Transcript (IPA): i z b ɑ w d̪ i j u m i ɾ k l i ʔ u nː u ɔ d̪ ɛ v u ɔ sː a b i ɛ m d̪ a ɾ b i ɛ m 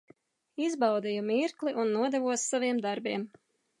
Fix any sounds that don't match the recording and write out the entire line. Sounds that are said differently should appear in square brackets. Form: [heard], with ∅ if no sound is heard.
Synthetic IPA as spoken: i z b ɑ w d̪ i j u m i ɾ k l i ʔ u nː u ɔ d̪ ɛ v u ɔ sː a [v] i ɛ m d̪ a ɾ b i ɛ m